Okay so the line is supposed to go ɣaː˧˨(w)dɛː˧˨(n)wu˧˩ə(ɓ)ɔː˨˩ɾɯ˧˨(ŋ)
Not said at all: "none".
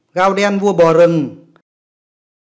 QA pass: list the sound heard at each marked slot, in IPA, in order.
w, n, b, ŋ

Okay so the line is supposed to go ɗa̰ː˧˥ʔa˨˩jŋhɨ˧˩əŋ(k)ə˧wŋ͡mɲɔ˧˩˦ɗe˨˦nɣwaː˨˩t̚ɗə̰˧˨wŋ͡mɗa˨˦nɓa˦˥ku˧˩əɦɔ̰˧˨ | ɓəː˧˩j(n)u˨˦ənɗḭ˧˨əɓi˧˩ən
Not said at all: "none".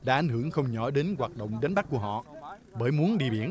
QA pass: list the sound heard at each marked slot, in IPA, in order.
x, m

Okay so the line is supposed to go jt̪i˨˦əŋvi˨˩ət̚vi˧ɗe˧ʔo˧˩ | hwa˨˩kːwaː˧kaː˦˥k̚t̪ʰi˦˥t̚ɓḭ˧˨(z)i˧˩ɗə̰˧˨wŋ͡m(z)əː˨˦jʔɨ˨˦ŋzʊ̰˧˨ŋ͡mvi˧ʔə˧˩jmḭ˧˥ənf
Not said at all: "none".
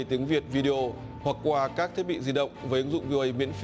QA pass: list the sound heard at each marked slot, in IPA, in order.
z, v

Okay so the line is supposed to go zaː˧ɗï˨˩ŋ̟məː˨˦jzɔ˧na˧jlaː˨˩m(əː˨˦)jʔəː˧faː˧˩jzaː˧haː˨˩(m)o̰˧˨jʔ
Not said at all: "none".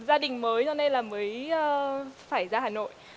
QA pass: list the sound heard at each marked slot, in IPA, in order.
əː˨˦, n

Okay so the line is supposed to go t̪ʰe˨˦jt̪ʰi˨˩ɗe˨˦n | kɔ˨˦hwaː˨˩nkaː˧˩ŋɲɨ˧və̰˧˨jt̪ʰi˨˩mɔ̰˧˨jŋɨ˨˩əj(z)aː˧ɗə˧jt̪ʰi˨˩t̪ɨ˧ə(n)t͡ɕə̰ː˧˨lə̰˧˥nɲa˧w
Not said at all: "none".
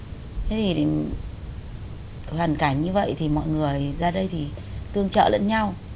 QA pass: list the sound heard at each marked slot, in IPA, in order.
z, ŋ

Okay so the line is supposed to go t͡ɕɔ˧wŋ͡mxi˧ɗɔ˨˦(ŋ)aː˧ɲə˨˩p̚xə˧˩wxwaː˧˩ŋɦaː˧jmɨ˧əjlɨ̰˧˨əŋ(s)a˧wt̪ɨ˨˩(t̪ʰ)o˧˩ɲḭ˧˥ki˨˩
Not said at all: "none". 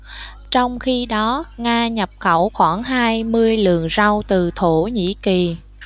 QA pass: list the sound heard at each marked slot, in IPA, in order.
ŋ, z, t̪ʰ

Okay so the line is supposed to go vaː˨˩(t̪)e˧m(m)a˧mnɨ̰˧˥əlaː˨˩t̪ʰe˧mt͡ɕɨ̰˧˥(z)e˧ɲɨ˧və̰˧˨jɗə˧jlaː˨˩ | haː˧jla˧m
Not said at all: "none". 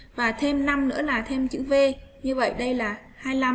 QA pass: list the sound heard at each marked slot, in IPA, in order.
t̪ʰ, n, v

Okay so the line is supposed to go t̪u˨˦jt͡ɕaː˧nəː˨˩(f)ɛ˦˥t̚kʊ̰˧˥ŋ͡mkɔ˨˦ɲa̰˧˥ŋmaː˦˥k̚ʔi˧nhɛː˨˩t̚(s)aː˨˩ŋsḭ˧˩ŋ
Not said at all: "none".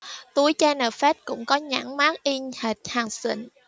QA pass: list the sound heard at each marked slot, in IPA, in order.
f, h

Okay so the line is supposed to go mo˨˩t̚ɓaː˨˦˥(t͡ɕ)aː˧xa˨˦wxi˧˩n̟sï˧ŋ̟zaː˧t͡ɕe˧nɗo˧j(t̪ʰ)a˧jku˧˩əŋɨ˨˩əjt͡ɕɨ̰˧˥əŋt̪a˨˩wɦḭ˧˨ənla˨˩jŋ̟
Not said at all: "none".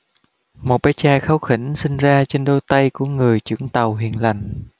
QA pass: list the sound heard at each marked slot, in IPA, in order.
t͡ɕ, t̪

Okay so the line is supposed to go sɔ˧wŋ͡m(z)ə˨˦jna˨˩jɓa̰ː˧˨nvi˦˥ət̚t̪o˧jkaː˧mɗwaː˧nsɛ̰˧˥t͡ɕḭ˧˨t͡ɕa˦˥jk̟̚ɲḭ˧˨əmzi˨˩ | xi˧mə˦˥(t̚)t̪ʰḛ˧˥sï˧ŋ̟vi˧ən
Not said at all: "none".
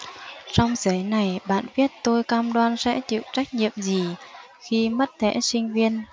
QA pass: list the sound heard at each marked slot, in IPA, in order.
z, t̚

